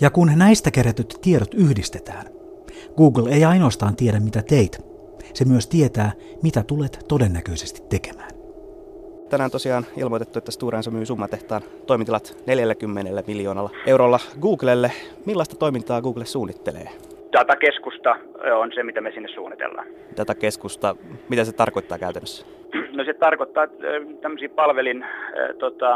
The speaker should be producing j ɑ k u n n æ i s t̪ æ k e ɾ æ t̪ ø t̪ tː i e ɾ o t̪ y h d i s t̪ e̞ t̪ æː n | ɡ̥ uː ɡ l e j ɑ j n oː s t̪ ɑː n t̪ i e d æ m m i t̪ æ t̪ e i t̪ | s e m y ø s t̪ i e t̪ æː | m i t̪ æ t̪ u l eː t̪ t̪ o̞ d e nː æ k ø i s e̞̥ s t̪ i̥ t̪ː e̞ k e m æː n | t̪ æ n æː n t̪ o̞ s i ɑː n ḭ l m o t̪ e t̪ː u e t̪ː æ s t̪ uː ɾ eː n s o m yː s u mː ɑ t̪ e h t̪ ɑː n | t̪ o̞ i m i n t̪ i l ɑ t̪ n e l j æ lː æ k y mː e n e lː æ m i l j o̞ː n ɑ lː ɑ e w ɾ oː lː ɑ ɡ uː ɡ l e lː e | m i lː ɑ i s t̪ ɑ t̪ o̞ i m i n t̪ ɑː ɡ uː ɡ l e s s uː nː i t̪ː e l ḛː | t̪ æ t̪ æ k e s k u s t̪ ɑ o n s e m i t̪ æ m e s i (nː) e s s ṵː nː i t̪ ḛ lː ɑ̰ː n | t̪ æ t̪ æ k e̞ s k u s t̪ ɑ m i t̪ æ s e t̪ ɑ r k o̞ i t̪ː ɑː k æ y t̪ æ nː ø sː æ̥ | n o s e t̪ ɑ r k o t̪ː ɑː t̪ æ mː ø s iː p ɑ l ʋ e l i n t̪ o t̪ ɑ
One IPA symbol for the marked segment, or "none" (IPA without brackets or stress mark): nː